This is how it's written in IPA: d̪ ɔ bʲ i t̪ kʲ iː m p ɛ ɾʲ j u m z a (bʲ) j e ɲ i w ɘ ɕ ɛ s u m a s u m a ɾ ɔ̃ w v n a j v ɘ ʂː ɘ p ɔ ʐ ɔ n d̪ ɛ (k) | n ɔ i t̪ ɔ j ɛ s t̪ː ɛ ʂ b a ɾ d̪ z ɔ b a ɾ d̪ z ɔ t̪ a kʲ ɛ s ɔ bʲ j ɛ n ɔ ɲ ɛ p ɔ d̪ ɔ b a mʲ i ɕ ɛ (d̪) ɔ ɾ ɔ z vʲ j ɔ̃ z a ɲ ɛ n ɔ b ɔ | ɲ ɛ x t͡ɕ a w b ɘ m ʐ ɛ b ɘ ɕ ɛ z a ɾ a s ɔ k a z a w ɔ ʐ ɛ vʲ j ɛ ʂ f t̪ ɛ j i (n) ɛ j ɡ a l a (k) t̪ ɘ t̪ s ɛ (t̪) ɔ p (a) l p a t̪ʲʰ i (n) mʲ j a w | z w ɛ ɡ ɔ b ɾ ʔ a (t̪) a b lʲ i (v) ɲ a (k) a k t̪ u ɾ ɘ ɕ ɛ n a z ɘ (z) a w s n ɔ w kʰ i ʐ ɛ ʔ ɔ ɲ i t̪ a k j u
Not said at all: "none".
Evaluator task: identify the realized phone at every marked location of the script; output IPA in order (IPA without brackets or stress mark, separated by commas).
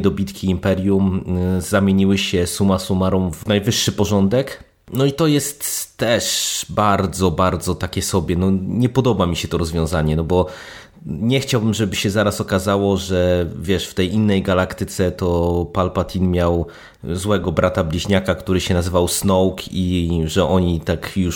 mʲ, k, t̪, nː, k, t̪, a, n, t̪, ʑ, k, v